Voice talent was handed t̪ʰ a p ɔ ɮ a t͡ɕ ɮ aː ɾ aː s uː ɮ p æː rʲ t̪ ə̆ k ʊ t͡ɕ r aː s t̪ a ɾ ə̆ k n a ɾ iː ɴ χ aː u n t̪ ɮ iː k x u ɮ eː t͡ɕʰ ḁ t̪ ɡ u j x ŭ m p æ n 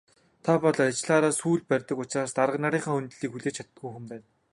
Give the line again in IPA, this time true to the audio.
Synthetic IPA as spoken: t̪ʰ a p ɔ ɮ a t͡ɕ ɮ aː ɾ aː s uː ɮ p æ rʲ t̪ ə̆ k ʊ t͡ɕ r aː s t̪ a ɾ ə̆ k n a ɾ iː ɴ χ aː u n t̪ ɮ iː k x u ɮ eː t͡ɕʰ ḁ t̪ ɡ u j x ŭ m p æː n